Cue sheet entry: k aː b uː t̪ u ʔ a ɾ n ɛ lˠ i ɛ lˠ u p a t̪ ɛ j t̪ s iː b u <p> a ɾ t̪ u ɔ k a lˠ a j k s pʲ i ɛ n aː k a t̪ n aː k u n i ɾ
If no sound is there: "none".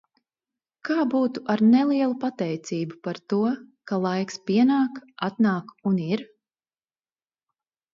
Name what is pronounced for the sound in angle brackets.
p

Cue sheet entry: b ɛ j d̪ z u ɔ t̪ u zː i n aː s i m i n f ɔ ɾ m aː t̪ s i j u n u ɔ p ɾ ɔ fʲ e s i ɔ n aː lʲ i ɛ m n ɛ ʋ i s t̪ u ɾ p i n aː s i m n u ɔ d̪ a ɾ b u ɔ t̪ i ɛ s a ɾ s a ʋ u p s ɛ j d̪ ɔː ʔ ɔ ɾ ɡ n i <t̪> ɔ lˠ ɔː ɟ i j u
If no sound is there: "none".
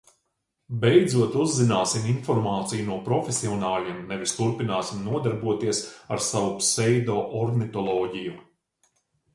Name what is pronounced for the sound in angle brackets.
t̪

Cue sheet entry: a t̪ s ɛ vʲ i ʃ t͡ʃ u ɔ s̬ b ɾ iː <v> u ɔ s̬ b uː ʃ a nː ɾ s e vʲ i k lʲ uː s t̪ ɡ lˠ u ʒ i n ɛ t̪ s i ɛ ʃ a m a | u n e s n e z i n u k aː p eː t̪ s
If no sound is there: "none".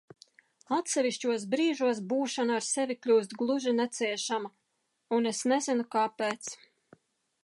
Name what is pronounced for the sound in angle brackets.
ʒ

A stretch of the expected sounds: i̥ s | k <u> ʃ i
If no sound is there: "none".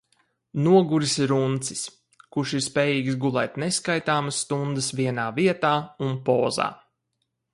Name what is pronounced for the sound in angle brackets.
u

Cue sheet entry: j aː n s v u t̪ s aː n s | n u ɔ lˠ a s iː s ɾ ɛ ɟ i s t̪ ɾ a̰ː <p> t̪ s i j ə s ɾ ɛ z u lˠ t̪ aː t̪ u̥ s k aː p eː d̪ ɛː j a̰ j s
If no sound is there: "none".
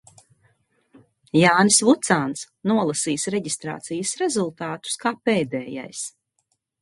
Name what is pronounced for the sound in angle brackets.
none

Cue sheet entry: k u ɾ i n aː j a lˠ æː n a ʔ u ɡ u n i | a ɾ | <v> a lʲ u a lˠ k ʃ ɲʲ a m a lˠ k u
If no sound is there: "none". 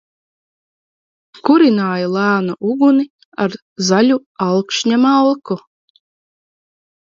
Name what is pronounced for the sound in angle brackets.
z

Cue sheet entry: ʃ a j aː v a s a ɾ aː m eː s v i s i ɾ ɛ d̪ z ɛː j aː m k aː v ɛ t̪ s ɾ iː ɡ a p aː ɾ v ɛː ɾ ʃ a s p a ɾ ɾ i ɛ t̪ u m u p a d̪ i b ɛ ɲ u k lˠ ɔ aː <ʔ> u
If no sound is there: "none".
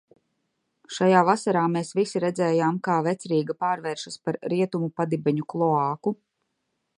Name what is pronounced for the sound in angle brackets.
k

